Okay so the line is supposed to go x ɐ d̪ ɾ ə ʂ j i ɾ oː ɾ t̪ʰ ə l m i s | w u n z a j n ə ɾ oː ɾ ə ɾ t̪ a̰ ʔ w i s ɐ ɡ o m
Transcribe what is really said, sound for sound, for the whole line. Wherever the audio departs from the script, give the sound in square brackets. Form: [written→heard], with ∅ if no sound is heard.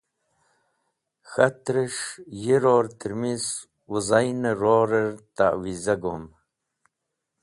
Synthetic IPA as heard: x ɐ [d̪→t̪] ɾ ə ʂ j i ɾ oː ɾ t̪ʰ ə [l→ɾ] m i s | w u [n→∅] z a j n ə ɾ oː ɾ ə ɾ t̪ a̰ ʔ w i [s→z] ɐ ɡ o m